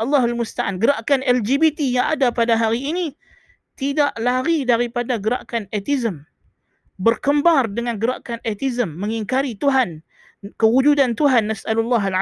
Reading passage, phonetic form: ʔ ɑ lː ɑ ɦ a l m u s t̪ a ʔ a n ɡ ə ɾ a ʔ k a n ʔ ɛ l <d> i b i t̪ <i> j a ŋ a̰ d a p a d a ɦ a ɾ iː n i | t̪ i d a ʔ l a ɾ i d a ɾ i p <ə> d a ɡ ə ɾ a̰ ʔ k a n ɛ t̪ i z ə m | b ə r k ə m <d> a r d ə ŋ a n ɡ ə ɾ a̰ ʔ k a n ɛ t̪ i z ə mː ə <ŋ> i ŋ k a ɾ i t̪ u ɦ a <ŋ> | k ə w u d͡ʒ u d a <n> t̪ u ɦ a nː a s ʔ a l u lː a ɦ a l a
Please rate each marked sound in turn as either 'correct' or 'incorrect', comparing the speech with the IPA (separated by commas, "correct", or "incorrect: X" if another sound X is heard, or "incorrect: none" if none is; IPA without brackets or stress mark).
incorrect: d͡ʒ, correct, incorrect: a, incorrect: b, correct, incorrect: n, correct